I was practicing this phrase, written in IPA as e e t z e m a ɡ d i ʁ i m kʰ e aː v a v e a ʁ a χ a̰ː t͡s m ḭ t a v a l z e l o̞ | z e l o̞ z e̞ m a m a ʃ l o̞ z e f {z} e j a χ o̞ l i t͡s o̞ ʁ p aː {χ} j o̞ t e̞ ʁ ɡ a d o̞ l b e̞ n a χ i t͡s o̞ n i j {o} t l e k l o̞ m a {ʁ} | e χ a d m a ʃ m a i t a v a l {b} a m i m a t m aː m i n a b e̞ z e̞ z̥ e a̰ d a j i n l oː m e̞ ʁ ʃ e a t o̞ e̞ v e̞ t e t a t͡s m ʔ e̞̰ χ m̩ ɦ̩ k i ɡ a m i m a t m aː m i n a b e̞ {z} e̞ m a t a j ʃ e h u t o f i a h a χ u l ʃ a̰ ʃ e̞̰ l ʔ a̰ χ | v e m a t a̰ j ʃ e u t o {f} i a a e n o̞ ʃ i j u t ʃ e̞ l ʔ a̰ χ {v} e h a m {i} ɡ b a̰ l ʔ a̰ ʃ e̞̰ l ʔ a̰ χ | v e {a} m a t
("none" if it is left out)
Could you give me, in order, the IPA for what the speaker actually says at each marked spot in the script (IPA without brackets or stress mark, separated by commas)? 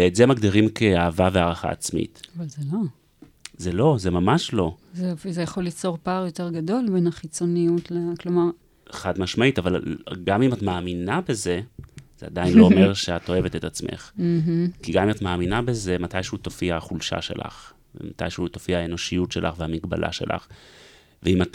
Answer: z, ʁ, u, ʁ, ɡ, z, f, v, i, i